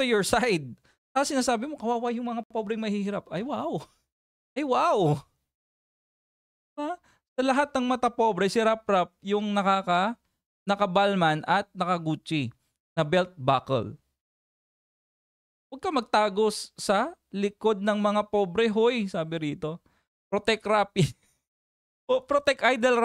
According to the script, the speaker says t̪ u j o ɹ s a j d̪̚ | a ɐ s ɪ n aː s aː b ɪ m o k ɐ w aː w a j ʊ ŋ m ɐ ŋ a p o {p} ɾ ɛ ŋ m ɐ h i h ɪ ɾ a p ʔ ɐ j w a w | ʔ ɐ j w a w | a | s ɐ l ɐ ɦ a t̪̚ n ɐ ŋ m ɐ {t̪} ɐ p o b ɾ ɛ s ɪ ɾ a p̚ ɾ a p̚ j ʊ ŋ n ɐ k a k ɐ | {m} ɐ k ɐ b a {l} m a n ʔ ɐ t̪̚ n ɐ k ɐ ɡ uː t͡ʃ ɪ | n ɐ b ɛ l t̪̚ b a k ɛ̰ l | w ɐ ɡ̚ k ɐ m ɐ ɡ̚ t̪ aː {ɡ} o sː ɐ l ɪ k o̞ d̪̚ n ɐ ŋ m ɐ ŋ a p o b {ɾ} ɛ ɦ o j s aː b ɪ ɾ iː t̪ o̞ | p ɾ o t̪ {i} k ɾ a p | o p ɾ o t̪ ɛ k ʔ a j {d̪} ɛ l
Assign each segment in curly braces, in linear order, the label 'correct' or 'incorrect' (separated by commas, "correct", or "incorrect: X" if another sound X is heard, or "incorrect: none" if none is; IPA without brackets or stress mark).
incorrect: b, correct, incorrect: n, correct, correct, correct, incorrect: ɛ, correct